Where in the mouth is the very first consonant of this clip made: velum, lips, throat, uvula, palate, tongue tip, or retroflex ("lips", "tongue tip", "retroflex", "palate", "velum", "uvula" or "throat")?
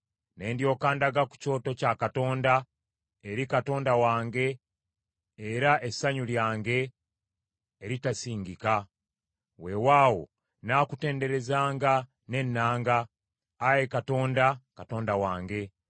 tongue tip